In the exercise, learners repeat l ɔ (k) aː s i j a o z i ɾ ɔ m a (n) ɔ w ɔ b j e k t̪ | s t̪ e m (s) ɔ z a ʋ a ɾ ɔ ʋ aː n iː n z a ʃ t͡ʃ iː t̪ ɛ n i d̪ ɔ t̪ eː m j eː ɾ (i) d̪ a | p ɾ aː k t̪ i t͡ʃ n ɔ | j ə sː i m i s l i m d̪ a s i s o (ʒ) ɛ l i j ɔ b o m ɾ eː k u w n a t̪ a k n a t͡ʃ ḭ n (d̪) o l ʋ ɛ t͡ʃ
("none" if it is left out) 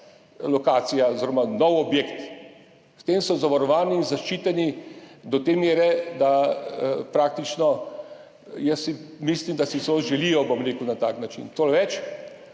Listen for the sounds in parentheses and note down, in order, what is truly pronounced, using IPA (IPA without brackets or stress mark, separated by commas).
k, n, s, ɛ, ʒ, t̪